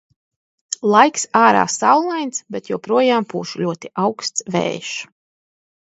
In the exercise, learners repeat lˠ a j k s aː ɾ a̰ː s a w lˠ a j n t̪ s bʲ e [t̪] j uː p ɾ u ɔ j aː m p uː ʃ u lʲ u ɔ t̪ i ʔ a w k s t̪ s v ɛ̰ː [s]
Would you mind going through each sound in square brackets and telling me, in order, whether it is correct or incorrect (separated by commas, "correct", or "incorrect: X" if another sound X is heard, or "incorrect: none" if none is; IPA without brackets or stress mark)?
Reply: correct, incorrect: ʃ